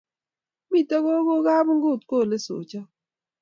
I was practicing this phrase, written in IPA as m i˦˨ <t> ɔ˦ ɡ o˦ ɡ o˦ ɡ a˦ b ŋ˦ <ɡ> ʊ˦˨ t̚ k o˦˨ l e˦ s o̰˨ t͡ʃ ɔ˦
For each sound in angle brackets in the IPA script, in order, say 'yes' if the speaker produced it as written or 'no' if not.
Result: yes, yes

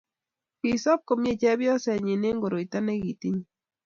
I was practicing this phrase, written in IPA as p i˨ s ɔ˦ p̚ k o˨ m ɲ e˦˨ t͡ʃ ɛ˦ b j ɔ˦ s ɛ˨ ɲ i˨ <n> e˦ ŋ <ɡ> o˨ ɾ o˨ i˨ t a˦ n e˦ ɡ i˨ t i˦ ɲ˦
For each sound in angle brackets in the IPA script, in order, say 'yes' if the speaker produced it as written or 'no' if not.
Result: yes, yes

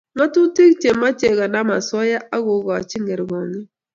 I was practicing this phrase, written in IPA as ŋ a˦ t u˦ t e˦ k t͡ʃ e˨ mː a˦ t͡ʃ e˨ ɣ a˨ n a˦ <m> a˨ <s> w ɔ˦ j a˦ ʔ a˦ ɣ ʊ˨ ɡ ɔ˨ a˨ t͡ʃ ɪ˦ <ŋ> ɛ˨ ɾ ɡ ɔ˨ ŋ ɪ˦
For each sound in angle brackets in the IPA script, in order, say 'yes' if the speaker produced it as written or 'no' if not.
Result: yes, yes, yes

